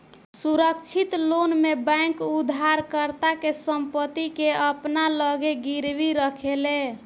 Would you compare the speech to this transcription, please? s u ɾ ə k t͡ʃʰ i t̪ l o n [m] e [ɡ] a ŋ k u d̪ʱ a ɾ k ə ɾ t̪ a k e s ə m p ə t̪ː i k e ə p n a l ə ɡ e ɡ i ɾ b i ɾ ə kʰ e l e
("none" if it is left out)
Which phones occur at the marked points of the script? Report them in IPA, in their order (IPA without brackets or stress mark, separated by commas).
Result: m, b